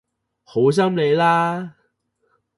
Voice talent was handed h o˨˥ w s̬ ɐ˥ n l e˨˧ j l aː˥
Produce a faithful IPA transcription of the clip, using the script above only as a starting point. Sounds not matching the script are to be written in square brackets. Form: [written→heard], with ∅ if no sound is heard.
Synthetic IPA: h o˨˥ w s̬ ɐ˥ [n→m] l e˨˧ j l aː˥